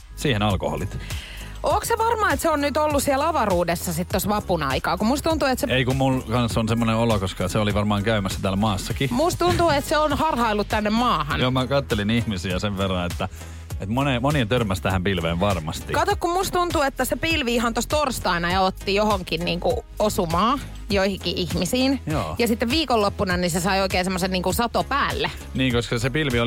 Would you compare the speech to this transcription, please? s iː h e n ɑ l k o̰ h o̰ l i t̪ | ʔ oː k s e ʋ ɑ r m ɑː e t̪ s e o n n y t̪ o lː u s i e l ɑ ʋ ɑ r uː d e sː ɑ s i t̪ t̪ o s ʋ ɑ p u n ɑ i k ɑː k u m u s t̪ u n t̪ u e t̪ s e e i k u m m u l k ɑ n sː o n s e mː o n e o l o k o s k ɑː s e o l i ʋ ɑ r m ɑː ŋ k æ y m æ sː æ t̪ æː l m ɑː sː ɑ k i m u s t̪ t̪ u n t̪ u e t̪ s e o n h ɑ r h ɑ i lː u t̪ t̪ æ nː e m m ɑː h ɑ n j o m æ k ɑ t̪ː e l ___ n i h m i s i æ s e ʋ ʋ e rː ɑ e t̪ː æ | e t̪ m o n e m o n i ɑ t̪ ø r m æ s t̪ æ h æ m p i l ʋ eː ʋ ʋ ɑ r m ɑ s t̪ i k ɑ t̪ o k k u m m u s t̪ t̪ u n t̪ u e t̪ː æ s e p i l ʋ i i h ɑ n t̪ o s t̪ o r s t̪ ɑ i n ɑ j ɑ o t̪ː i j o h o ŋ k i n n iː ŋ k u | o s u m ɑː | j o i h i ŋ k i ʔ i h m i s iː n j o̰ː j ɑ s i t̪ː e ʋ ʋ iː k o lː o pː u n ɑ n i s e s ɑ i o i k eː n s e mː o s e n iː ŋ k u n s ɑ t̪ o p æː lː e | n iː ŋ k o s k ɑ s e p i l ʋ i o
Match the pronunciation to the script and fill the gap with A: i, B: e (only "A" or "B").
A